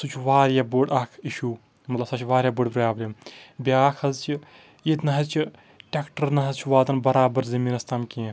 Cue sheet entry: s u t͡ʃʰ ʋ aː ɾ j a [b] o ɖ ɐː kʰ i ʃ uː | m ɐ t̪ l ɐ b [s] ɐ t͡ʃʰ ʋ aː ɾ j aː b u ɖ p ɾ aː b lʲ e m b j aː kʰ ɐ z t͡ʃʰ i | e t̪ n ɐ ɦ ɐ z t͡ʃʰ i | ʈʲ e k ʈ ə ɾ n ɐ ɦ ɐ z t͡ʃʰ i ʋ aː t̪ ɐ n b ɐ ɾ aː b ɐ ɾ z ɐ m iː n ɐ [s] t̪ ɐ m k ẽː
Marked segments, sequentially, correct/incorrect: correct, correct, correct

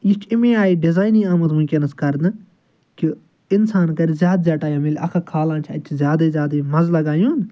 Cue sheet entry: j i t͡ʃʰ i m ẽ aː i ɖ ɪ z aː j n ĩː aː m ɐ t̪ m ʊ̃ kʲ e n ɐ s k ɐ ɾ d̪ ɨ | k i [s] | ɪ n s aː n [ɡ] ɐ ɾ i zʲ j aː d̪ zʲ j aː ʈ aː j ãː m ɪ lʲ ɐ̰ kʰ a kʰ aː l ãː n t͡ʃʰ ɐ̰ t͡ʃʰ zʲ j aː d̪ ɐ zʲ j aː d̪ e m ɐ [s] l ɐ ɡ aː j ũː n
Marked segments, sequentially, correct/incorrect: incorrect: none, incorrect: k, incorrect: z

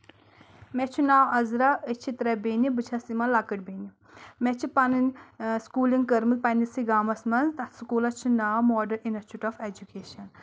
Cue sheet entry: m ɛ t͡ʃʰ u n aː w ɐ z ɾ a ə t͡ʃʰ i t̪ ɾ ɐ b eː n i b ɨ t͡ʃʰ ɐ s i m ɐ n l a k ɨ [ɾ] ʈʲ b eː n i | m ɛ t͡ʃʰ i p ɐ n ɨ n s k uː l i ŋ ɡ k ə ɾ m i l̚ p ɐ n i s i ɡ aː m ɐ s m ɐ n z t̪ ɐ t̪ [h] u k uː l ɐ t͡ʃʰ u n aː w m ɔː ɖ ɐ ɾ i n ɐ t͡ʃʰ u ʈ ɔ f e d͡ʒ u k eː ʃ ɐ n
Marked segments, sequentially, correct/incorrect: incorrect: none, incorrect: s

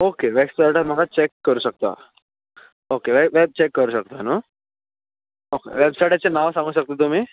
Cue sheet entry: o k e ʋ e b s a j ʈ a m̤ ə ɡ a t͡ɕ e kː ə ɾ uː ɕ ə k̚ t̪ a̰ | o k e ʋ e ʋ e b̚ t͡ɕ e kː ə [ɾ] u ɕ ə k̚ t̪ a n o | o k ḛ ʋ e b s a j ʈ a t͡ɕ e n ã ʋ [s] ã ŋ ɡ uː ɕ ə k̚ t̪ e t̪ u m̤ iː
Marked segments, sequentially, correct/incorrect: correct, correct

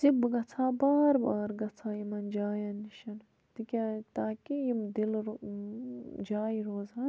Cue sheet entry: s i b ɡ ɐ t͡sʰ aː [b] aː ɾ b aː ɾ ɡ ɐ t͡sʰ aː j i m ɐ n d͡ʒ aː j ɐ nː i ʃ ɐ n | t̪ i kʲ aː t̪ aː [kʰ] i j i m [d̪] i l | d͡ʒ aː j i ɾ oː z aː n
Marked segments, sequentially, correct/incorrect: correct, incorrect: k, correct

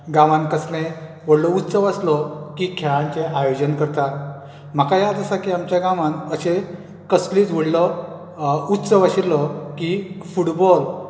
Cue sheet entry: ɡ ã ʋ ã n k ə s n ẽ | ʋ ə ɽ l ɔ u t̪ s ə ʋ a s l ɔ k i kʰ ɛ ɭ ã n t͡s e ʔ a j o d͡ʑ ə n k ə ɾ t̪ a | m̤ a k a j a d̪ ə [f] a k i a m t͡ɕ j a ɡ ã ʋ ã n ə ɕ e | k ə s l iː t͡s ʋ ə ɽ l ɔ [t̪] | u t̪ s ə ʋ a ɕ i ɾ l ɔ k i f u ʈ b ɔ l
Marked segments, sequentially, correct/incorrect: incorrect: s, incorrect: none

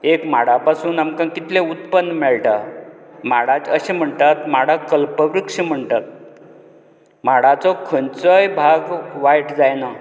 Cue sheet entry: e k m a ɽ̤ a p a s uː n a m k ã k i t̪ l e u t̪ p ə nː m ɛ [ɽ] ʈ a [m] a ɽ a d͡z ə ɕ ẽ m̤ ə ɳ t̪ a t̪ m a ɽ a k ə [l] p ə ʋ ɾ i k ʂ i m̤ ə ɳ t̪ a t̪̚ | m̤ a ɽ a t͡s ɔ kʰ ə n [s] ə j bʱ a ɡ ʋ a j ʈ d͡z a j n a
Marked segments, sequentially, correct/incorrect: incorrect: ɭ, correct, correct, incorrect: t͡s

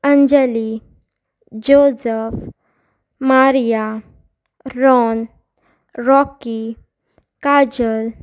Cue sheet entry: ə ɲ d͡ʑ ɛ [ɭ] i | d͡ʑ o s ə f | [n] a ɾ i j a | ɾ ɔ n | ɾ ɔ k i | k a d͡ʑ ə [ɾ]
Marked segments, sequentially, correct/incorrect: incorrect: l, incorrect: m, incorrect: l

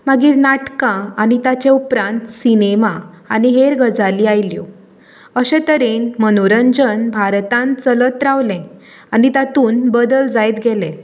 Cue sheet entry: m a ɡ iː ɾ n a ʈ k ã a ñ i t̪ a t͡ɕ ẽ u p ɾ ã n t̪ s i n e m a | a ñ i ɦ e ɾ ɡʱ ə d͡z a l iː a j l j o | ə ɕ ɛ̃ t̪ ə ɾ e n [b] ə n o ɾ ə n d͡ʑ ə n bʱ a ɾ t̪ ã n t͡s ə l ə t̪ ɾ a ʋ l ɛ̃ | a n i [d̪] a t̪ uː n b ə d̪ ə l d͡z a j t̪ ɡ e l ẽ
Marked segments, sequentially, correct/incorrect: incorrect: m, incorrect: t̪

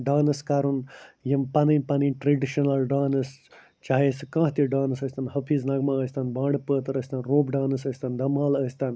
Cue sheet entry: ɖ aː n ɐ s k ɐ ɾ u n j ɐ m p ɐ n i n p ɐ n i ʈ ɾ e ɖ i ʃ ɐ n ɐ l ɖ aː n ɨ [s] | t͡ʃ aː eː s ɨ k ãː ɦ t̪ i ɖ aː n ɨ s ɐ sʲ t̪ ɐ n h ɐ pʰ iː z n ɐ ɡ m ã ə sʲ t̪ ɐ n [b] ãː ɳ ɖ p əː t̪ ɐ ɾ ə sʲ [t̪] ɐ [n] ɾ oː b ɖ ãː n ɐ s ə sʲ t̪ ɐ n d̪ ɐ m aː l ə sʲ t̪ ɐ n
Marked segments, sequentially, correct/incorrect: correct, correct, correct, correct

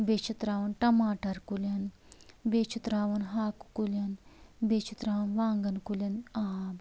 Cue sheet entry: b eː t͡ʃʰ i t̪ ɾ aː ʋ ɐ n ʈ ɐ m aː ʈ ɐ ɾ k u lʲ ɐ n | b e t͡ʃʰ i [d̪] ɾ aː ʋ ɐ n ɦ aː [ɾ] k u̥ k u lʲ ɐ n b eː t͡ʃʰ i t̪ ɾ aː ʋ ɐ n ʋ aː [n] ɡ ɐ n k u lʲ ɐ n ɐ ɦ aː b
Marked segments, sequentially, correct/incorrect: incorrect: t̪, incorrect: none, incorrect: ŋ

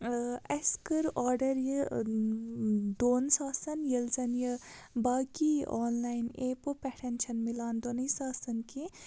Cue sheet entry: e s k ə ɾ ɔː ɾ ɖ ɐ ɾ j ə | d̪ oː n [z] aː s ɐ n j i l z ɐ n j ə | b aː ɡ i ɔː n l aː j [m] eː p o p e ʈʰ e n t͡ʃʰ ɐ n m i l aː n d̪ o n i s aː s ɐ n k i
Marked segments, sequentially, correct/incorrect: incorrect: s, incorrect: n

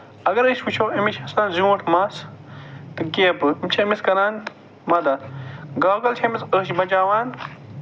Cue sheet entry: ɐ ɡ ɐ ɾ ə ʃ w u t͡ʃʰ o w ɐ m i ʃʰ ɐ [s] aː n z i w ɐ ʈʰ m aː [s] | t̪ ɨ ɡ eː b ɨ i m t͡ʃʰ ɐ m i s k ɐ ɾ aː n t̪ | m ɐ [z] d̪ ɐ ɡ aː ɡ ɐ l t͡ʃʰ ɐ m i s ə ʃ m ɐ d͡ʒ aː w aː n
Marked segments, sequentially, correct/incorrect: correct, correct, incorrect: none

